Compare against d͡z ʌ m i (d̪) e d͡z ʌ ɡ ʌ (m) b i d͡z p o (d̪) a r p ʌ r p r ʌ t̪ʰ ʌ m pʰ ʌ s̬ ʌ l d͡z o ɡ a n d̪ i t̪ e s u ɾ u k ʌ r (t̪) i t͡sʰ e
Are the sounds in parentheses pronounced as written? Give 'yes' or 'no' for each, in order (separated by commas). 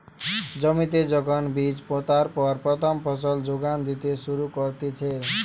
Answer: no, no, no, yes